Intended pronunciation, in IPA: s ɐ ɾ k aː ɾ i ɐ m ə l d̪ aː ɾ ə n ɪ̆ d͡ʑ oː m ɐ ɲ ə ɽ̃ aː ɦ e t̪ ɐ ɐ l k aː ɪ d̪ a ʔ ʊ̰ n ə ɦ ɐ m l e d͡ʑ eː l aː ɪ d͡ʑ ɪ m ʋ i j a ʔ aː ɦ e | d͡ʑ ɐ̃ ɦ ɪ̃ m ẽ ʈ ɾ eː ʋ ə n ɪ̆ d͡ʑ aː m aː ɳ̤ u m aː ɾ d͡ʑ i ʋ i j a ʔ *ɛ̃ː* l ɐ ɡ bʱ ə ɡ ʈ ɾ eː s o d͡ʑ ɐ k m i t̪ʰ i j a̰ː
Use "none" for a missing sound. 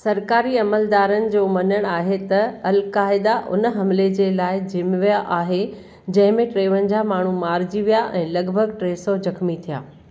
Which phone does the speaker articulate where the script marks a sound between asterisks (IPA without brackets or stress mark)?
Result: ɛ̃ː